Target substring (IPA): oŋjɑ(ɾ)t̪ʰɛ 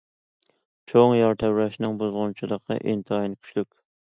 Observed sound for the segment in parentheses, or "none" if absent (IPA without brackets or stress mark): ɾ